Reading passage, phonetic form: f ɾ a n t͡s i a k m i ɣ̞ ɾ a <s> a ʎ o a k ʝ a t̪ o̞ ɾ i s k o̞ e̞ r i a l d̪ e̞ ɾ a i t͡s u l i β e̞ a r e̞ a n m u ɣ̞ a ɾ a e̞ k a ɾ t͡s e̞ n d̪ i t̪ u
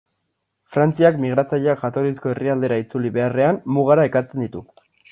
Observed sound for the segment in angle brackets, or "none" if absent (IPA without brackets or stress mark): t͡s